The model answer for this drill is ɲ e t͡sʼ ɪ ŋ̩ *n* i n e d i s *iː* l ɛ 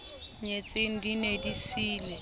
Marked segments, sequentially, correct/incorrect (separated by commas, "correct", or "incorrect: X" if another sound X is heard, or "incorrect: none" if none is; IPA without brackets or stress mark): incorrect: d, correct